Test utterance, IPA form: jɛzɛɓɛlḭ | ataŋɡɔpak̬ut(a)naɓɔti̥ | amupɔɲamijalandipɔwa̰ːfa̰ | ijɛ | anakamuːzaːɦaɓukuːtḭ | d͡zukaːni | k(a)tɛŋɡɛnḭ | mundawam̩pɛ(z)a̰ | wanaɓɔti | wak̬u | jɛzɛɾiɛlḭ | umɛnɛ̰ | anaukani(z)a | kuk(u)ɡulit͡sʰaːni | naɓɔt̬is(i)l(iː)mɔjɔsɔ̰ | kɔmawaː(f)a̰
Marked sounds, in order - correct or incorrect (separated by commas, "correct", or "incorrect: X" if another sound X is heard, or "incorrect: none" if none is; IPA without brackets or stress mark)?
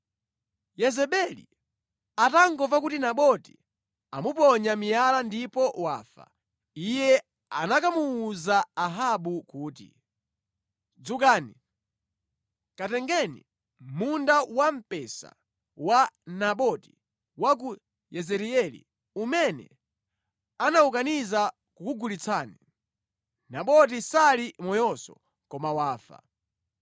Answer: incorrect: i, correct, incorrect: s, correct, correct, incorrect: a, incorrect: i, correct